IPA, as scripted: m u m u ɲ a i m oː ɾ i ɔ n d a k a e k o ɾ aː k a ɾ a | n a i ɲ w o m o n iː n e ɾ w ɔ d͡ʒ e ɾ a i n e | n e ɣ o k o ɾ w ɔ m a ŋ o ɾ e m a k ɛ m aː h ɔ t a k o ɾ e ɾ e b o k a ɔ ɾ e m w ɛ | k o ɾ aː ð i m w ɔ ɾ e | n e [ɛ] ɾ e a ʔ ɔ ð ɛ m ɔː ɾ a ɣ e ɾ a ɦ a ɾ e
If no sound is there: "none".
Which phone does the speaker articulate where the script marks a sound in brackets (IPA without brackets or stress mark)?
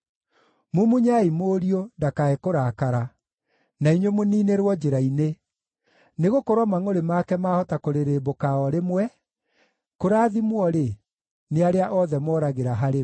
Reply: a